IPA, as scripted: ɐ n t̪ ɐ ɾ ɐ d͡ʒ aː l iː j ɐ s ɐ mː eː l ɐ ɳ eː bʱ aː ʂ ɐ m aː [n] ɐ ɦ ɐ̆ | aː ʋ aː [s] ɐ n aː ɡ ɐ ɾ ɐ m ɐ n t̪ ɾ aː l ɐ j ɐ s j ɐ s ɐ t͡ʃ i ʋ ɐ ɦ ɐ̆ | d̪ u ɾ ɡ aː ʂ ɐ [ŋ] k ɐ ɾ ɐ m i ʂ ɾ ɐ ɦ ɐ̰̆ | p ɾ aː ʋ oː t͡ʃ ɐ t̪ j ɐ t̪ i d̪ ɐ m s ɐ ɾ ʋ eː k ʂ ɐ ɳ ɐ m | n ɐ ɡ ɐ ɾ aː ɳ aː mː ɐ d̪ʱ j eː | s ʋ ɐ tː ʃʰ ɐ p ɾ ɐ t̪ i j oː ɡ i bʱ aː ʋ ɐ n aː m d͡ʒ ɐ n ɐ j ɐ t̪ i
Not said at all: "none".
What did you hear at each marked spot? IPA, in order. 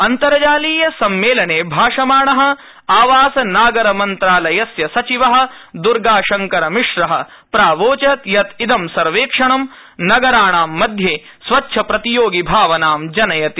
ɳ, s, ŋ

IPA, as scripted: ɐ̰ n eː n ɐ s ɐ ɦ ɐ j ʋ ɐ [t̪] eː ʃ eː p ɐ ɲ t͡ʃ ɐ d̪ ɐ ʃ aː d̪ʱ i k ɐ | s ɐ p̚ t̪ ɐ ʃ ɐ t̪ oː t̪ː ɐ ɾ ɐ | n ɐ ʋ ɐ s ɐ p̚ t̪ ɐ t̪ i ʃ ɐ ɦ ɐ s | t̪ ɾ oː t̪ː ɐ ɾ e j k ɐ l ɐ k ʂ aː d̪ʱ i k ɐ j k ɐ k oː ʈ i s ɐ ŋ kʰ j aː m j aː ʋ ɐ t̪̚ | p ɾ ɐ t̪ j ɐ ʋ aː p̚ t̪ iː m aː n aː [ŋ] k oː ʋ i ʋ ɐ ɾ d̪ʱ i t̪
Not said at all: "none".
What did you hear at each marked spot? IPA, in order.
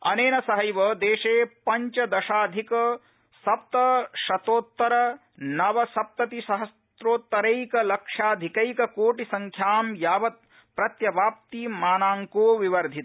d̪, ŋ

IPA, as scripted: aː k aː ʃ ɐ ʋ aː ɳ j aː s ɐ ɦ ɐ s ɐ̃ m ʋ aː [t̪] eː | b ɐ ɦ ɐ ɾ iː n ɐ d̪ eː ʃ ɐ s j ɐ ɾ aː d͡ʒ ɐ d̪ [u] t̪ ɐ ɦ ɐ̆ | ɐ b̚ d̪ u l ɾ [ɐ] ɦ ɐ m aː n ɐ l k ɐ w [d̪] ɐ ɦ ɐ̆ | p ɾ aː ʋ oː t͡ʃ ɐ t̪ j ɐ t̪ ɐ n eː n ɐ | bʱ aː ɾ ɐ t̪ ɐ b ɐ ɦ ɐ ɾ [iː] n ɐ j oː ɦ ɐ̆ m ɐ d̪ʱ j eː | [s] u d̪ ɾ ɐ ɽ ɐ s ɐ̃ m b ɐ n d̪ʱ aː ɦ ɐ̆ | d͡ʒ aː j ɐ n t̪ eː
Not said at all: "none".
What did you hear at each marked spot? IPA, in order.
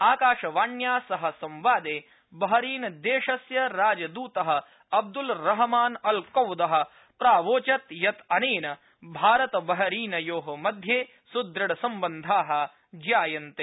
d̪, uː, ɐ, d̪, iː, s

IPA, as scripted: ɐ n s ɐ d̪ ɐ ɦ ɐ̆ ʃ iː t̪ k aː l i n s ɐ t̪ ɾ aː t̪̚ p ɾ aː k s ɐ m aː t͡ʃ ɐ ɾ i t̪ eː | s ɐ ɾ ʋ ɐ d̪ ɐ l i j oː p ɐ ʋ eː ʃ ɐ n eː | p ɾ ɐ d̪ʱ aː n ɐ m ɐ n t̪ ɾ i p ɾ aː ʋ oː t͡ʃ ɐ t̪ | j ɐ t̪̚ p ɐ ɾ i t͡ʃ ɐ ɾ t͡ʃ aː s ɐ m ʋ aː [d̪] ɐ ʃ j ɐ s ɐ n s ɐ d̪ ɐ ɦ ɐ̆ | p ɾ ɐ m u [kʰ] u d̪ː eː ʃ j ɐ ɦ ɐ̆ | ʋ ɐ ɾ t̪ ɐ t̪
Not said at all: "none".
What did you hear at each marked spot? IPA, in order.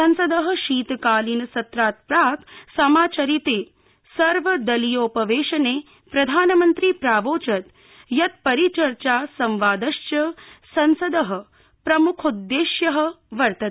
d̪, kʰ

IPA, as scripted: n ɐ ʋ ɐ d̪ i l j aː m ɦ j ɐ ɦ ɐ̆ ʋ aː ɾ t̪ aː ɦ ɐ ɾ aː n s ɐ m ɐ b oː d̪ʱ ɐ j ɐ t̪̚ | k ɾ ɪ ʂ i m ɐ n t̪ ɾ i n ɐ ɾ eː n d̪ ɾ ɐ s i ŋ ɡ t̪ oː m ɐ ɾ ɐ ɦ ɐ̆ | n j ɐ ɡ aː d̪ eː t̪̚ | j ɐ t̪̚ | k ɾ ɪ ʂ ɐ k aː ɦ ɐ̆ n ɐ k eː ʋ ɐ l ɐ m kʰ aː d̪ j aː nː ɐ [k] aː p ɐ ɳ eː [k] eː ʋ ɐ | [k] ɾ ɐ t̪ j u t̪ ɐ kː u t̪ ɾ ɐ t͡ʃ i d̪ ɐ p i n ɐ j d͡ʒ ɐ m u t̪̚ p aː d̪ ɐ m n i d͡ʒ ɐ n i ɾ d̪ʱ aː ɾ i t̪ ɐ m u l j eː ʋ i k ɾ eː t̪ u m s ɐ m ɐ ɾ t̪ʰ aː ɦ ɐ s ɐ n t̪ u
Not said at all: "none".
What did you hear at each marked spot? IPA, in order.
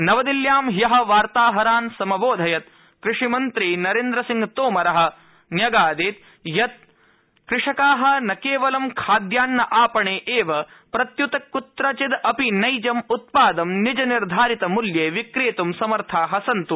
ʔ, ʔ, p

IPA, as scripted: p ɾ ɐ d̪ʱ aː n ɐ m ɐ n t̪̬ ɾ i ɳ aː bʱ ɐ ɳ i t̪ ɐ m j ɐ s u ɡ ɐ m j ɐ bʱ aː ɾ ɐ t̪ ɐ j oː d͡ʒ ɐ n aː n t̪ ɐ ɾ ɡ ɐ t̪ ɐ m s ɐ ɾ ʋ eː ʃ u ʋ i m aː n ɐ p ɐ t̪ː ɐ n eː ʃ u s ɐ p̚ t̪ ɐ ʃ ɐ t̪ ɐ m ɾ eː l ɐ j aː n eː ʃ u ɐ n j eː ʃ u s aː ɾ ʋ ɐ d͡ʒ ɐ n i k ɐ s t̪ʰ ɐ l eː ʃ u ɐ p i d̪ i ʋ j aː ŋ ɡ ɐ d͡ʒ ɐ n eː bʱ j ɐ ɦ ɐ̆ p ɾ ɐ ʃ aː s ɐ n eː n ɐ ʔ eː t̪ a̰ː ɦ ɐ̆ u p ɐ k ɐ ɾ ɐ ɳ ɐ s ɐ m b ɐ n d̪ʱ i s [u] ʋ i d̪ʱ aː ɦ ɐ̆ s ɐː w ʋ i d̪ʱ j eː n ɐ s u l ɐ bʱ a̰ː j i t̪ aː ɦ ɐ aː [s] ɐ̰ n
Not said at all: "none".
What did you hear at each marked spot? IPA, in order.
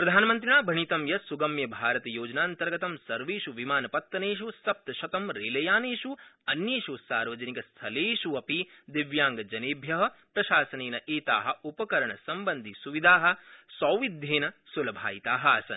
u, s

